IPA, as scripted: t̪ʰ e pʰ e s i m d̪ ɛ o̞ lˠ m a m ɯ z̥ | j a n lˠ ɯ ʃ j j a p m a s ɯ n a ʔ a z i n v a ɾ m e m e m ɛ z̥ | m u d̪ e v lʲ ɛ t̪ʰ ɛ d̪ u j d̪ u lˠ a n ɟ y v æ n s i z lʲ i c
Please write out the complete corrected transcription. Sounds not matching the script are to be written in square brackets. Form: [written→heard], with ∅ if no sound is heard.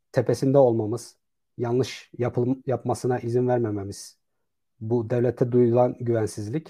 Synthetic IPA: t̪ʰ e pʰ e s i [m→n] d̪ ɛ o̞ lˠ m a m ɯ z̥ | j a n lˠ ɯ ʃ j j a p m a s ɯ n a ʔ [a→i] z i n v [a→æ] ɾ m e m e m [ɛ→i] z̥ | [m→b] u d̪ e v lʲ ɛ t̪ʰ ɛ d̪ u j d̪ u lˠ a n ɟ y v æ n s i z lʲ i c